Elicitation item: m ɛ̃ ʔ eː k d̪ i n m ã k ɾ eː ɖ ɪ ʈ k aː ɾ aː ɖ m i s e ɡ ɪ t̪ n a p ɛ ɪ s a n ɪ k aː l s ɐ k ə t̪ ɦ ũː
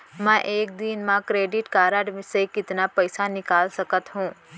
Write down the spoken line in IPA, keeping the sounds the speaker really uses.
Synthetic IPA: m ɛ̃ ʔ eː k d̪ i n m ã k ɾ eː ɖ ɪ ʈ k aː ɾ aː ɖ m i s e k ɪ t̪ n a p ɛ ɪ s a n ɪ k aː l s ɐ k ə t̪ ɦ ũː